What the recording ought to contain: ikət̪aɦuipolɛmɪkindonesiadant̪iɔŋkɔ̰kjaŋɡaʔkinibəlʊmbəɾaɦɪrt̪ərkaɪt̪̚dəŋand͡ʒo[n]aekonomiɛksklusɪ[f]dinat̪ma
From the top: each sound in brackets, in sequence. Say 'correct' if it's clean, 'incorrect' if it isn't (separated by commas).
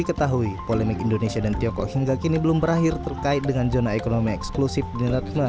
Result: correct, correct